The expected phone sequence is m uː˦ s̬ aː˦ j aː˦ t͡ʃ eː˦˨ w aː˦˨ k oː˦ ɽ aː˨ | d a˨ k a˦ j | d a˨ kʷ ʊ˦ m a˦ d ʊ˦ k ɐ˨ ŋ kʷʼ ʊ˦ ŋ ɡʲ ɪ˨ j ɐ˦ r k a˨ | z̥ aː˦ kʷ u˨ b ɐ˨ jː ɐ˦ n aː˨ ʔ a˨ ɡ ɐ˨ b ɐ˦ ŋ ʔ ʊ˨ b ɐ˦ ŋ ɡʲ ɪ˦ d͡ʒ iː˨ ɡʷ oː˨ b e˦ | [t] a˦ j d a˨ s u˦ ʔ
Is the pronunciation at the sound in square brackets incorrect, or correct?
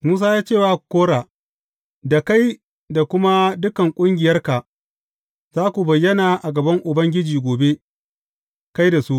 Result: incorrect: k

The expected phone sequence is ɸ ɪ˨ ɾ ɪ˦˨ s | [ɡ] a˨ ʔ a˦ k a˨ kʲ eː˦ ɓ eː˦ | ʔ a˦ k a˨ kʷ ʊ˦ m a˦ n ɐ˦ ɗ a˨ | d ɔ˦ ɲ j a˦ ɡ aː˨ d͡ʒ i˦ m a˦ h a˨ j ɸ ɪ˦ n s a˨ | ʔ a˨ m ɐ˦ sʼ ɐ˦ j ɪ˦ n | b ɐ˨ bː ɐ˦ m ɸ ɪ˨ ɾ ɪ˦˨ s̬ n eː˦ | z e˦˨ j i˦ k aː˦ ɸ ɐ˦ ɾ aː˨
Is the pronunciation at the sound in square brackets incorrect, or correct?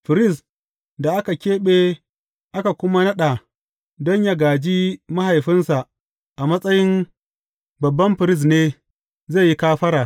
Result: incorrect: d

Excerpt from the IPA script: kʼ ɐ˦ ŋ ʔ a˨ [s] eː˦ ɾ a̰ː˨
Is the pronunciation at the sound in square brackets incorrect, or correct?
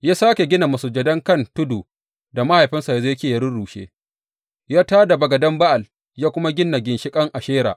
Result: incorrect: ʃ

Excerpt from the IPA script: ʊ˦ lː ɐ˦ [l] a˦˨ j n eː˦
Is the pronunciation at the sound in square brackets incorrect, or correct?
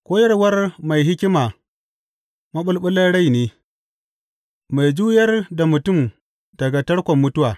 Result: incorrect: ɽ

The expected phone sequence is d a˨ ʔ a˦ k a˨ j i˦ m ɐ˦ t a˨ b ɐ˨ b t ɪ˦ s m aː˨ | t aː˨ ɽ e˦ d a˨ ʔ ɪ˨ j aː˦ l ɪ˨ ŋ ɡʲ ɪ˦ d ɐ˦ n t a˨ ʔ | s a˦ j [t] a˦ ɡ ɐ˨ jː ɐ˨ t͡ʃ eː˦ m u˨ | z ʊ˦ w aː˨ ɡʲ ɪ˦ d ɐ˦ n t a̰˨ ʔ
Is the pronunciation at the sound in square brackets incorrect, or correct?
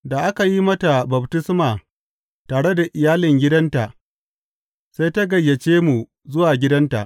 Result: correct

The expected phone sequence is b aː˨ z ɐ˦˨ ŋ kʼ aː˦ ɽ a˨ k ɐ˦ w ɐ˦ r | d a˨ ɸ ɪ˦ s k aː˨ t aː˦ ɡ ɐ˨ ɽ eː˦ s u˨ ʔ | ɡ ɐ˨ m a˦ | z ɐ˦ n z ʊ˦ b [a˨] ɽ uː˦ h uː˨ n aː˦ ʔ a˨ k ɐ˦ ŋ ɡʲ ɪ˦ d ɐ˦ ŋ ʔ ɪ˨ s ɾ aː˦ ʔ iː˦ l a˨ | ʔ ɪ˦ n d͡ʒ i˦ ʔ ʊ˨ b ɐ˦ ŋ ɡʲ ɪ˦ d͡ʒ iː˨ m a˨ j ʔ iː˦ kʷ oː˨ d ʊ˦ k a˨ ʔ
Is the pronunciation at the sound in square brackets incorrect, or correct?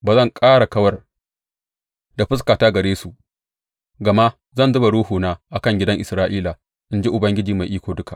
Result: correct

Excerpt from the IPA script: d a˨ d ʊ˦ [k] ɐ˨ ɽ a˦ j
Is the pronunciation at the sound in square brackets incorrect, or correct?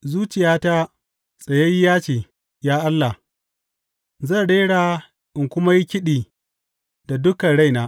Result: correct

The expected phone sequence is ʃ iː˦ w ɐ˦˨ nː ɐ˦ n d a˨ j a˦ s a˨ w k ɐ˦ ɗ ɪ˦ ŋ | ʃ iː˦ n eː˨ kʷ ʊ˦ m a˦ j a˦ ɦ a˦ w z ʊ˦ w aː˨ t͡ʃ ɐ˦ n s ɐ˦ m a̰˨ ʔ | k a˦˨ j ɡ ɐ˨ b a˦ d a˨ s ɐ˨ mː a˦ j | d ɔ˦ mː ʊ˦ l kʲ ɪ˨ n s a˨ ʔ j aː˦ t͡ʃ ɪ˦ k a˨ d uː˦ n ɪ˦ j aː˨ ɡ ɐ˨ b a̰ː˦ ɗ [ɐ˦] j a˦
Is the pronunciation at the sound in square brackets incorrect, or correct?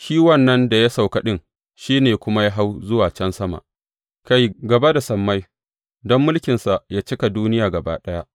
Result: correct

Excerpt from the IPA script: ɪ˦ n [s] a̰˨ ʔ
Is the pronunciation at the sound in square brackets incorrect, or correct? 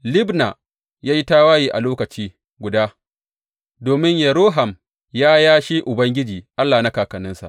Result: correct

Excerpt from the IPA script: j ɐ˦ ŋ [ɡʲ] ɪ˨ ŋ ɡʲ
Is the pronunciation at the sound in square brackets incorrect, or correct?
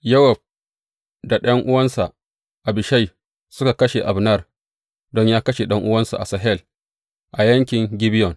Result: incorrect: kʲ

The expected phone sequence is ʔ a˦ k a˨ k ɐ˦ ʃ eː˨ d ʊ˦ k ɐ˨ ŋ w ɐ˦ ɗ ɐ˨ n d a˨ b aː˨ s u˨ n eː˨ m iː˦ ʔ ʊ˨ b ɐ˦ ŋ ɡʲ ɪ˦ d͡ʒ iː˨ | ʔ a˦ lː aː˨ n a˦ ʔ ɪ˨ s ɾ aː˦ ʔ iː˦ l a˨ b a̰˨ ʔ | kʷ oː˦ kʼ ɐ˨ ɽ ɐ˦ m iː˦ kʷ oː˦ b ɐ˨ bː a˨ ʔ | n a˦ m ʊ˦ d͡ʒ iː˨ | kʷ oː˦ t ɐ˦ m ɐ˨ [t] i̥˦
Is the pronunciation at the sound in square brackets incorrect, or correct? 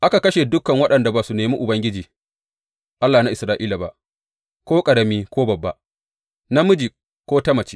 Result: incorrect: t͡ʃ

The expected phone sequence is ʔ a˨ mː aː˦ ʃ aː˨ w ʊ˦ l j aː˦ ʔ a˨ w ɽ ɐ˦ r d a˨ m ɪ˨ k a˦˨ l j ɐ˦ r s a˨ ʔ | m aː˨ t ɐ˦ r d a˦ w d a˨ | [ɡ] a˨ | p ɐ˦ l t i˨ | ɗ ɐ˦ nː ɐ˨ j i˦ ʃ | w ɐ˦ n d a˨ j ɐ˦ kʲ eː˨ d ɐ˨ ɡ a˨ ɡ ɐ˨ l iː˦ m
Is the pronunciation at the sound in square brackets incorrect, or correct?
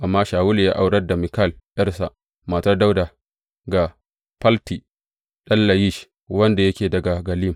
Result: correct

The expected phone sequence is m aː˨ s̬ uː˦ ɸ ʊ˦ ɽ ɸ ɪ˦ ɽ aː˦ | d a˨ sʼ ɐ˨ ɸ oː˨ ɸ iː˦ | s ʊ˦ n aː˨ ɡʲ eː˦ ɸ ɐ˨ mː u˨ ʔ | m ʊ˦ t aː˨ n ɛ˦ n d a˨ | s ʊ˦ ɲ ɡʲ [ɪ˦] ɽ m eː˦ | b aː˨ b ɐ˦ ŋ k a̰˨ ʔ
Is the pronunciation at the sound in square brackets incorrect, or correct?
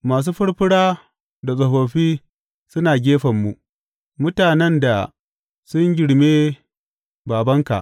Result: incorrect: ɪ˨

